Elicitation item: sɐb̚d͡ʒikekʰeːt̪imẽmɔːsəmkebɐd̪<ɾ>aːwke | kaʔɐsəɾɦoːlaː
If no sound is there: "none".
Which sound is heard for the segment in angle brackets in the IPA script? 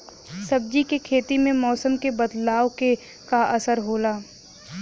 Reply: l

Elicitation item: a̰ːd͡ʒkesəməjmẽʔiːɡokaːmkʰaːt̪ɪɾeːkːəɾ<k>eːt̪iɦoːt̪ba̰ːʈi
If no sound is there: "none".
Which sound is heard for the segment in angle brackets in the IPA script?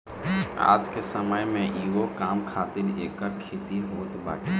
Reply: kʰ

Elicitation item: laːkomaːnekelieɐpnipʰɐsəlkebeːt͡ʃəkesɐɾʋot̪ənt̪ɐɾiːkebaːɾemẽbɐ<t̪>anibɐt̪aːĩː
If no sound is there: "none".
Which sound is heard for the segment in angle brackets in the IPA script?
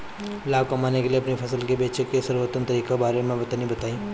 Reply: t̪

